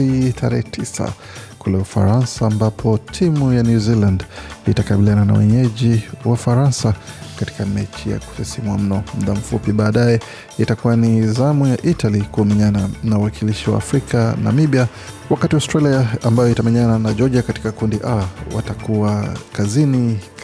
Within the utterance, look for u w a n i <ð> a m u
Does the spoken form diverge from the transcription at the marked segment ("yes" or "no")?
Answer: yes